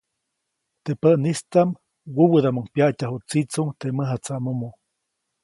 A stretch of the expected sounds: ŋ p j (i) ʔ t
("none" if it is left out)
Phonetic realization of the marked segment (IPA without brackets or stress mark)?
a